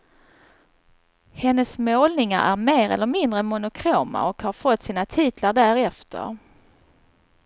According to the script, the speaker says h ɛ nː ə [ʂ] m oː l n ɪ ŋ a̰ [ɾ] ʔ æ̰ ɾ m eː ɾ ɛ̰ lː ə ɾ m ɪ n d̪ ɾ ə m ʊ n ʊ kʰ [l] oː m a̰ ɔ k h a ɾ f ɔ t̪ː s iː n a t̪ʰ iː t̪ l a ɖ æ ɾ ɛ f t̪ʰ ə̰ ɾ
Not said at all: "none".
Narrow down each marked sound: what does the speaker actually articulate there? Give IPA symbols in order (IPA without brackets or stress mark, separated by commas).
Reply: s, ɾ, ɾ